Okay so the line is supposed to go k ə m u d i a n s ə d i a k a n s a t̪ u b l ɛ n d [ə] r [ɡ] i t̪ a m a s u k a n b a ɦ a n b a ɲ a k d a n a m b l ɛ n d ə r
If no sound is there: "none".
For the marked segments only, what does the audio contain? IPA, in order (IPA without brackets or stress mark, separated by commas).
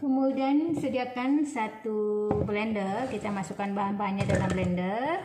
ə, k